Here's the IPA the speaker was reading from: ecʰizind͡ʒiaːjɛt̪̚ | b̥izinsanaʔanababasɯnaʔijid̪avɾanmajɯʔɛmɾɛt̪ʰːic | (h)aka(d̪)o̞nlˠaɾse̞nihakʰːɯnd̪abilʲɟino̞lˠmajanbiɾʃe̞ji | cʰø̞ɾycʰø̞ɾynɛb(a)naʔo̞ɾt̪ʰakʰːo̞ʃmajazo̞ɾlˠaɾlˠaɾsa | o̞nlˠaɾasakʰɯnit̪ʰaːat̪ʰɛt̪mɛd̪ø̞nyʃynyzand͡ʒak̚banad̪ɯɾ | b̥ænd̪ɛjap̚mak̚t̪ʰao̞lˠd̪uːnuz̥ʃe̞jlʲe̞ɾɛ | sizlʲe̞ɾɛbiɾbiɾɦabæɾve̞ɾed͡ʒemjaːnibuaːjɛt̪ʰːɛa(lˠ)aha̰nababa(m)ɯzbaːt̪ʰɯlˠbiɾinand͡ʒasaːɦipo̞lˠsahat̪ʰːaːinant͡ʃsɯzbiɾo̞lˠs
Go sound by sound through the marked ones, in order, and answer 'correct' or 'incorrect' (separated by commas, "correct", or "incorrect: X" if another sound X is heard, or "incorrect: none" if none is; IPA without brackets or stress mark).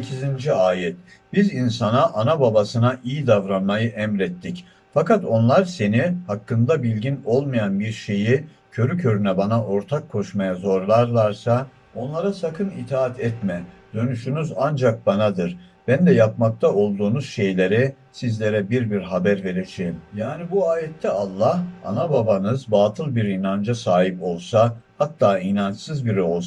incorrect: f, incorrect: t̪, correct, incorrect: lˠː, incorrect: n